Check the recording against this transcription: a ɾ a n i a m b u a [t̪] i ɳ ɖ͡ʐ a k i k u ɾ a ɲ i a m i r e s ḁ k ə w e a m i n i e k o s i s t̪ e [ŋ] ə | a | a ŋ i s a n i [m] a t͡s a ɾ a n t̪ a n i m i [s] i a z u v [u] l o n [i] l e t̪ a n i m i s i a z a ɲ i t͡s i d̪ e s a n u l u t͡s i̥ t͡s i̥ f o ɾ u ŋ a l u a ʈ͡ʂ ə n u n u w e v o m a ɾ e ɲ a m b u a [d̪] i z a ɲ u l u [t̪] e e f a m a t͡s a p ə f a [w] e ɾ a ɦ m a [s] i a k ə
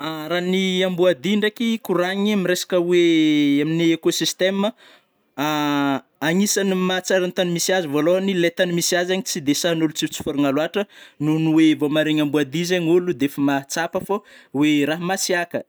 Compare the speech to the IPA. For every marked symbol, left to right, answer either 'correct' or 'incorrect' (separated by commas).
incorrect, incorrect, correct, correct, incorrect, correct, correct, incorrect, correct, correct